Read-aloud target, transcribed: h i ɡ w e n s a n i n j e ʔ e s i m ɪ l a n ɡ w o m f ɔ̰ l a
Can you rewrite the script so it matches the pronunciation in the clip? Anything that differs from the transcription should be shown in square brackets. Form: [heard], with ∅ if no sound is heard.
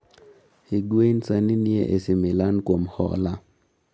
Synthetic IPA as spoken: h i ɡ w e n s a n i n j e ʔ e s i m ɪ l a n [k] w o m [h] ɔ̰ l a